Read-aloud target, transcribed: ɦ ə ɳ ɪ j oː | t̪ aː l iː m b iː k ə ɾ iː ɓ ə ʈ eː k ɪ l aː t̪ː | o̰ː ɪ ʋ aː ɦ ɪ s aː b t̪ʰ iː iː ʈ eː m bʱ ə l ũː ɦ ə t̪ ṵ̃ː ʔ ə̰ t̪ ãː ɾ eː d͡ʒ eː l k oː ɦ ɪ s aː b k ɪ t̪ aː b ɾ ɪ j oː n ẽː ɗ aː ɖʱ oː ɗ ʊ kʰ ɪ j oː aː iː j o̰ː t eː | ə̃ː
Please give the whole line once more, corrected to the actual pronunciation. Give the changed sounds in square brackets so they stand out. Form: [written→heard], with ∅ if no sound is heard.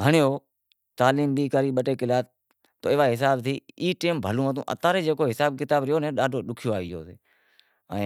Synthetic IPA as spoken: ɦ ə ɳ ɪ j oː | t̪ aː l iː m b iː k ə ɾ iː ɓ ə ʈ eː k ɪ l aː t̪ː | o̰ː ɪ ʋ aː ɦ ɪ s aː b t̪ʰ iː iː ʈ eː m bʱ ə l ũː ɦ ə t̪ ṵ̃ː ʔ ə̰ t̪ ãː ɾ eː d͡ʒ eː [l→∅] k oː ɦ ɪ s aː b k ɪ t̪ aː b ɾ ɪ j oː n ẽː ɗ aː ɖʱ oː ɗ ʊ kʰ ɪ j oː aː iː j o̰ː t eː | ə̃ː